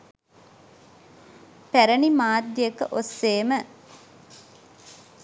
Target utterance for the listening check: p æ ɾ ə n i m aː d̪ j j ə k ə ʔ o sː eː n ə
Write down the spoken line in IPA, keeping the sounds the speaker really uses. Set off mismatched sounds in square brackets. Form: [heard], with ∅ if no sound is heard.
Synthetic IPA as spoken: p æ ɾ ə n i m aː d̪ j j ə k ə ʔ o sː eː [m] ə